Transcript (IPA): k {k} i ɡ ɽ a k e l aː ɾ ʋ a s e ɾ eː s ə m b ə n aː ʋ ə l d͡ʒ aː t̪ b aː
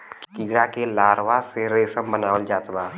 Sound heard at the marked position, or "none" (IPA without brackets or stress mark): k